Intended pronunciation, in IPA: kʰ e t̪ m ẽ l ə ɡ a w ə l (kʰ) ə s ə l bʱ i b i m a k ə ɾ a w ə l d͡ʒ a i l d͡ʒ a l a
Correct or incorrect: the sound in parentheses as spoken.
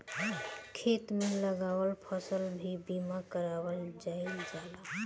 incorrect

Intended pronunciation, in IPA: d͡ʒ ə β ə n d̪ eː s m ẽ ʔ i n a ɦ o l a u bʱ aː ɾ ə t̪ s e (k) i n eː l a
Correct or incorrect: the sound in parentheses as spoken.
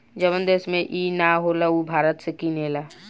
correct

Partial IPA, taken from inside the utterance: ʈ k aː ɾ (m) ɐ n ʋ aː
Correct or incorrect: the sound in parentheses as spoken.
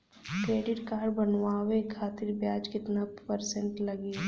incorrect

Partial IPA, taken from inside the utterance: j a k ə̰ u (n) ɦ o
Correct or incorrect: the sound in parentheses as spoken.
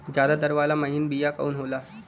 correct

